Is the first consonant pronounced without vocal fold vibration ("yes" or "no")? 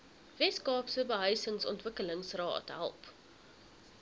no